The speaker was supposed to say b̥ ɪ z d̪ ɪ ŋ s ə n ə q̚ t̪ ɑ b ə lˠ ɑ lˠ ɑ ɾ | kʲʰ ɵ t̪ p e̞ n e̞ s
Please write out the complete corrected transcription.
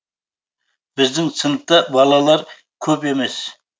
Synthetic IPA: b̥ ɪ z d̪ ɪ ŋ s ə n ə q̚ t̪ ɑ b ɑ lˠ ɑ lˠ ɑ ɾ | kʲʰ ɵ p e̞ m e̞ s